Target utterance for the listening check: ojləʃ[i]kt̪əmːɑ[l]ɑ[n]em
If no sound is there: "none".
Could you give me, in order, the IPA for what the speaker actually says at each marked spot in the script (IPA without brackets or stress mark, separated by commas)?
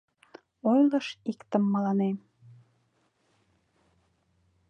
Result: i, l, n